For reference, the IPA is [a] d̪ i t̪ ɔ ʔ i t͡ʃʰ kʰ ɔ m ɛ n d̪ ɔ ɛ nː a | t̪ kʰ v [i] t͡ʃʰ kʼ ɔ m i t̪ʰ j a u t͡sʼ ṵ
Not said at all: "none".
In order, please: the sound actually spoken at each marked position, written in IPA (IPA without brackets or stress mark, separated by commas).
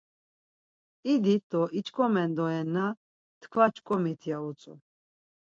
i, a